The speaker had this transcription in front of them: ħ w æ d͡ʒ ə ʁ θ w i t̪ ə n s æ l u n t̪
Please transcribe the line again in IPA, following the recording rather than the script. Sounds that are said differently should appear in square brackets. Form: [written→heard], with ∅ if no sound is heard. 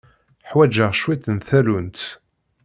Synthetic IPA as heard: ħ w æ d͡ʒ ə ʁ [θ→ʃ] w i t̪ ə n [s→θ] æ l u n t̪